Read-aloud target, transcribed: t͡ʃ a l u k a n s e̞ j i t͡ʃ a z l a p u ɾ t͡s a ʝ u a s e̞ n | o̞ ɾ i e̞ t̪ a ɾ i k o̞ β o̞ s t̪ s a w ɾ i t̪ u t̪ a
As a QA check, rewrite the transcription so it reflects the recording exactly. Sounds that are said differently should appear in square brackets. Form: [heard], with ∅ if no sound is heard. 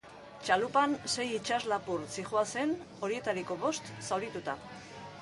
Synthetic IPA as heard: t͡ʃ a l u [p] a n s e̞ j i t͡ʃ a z l a p u ɾ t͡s [i] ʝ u a s e̞ n | o̞ ɾ i e̞ t̪ a ɾ i k o̞ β o̞ s t̪ s a w ɾ i t̪ u t̪ a